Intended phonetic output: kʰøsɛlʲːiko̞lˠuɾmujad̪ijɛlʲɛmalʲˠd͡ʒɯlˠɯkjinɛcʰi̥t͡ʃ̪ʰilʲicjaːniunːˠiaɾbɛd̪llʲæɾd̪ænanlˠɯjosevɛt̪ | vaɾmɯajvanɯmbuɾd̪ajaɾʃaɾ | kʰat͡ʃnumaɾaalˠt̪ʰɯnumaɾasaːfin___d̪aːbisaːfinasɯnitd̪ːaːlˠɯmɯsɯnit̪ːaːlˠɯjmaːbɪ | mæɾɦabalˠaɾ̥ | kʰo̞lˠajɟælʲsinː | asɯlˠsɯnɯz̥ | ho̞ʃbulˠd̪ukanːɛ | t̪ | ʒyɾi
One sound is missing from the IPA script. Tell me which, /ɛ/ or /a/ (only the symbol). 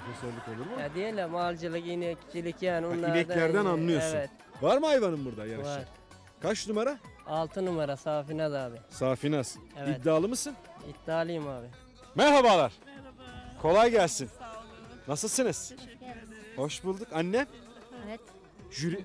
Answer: a